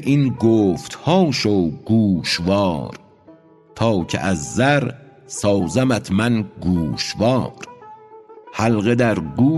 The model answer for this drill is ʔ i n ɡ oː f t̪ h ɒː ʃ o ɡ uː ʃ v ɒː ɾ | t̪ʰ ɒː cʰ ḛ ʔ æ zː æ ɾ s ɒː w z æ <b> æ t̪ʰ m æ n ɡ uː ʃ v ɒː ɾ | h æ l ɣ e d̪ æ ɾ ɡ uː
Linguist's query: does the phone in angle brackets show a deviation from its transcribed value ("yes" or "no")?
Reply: yes